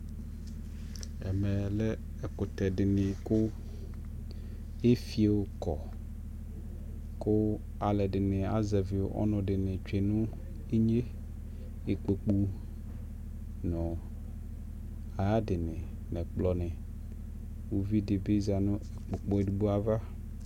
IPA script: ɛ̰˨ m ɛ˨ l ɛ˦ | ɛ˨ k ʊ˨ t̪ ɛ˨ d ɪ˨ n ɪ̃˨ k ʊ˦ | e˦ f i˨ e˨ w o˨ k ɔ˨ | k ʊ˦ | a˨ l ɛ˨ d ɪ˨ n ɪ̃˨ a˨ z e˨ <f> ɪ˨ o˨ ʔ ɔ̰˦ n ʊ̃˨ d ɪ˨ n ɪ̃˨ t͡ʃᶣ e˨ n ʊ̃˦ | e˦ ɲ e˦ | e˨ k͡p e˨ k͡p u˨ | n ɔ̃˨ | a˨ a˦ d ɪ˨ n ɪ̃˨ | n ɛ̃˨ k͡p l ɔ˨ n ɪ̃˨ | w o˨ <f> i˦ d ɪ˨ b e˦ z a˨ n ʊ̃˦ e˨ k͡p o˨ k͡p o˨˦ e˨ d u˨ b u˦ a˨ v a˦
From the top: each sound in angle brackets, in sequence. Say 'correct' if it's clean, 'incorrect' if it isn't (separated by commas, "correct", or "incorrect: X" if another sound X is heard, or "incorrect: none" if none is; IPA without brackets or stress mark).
incorrect: v, incorrect: v